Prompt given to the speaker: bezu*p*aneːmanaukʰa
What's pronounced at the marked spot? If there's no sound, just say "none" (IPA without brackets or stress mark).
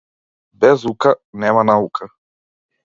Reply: k